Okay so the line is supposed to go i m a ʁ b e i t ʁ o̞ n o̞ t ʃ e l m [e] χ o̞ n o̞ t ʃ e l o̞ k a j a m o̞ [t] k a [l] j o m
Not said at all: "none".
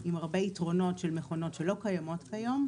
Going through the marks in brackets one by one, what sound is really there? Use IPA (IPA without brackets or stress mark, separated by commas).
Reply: e, t, none